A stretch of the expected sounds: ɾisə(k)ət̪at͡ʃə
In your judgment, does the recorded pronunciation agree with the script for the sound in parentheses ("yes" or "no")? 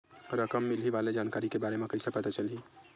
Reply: no